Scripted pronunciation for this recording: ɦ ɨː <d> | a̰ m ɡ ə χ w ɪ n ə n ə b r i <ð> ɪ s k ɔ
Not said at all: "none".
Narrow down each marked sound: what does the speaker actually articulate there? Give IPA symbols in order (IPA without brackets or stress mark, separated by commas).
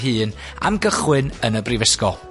n, v